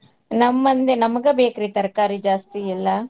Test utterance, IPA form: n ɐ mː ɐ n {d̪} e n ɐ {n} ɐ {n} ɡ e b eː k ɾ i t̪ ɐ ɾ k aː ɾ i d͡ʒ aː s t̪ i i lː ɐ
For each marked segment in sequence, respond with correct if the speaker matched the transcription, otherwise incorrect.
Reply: correct, incorrect, incorrect

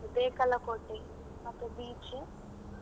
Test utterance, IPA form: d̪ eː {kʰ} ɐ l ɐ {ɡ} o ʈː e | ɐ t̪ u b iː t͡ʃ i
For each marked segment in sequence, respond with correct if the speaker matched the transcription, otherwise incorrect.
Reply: incorrect, incorrect

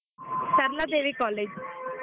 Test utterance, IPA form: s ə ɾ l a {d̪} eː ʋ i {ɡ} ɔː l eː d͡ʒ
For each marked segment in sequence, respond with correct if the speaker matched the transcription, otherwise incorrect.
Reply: correct, incorrect

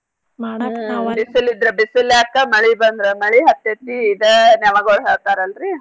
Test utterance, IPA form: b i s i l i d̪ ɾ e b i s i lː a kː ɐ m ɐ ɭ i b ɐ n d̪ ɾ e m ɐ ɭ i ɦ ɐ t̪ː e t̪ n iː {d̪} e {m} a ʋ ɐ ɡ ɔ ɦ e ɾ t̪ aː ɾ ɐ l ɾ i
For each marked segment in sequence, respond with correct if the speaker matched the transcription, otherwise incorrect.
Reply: correct, incorrect

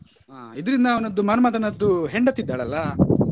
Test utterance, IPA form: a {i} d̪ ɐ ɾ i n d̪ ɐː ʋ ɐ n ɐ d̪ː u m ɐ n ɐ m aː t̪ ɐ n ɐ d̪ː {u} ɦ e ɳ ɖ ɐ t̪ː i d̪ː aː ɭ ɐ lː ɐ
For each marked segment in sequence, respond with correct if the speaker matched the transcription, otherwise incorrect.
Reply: correct, correct

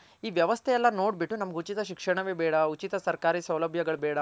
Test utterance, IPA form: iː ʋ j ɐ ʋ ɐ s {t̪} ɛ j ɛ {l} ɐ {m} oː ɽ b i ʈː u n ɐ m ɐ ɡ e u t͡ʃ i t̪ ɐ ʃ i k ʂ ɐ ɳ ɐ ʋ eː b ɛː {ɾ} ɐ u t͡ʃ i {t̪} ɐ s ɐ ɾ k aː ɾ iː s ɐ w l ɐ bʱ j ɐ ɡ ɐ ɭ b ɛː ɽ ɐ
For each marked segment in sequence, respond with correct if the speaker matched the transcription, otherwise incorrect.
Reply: incorrect, incorrect, incorrect, incorrect, correct

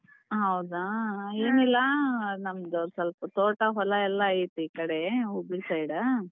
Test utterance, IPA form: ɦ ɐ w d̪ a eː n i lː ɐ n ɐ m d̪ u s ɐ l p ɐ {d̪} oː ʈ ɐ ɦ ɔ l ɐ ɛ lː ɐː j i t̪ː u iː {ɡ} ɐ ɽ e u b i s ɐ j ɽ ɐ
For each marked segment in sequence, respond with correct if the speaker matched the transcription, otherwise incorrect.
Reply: incorrect, incorrect

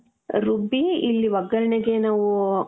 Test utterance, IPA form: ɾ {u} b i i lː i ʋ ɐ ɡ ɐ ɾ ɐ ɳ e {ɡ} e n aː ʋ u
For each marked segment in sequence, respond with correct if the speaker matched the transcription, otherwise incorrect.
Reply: correct, correct

